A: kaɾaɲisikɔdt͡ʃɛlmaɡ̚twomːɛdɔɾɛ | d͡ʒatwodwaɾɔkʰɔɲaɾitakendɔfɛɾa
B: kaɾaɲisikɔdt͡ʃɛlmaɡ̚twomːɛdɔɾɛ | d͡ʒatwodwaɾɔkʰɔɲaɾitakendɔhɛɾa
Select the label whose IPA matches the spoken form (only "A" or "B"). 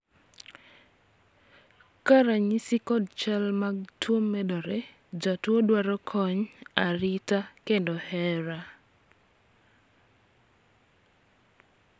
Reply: B